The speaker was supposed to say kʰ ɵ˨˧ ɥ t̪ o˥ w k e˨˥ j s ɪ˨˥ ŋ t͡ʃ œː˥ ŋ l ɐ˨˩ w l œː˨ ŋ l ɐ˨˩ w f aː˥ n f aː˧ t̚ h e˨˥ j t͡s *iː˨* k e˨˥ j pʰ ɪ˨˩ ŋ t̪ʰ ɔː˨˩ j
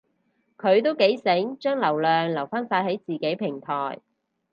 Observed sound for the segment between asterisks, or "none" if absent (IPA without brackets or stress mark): iː˨